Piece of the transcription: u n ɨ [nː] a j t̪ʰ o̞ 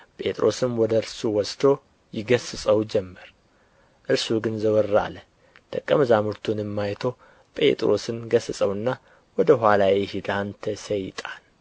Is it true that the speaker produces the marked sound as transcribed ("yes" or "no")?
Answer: no